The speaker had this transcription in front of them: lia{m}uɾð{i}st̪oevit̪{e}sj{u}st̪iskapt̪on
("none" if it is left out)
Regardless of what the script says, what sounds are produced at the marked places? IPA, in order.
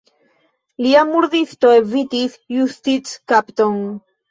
m, i, i, u

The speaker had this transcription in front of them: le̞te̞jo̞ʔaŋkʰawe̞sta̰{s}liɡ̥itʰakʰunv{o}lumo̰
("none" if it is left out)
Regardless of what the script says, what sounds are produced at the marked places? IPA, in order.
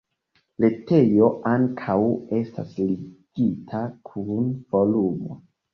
s, o

